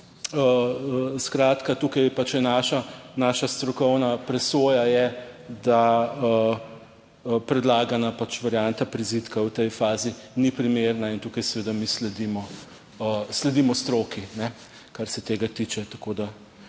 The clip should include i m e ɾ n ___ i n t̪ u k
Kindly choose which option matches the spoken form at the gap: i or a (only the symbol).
a